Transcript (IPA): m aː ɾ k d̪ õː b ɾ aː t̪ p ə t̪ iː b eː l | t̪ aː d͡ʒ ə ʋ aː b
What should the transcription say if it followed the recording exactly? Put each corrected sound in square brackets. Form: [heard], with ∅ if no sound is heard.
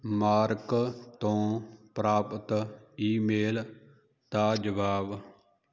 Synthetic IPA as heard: m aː ɾ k [t̪] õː [p] ɾ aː [∅] p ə t̪ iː [m] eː l | t̪ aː d͡ʒ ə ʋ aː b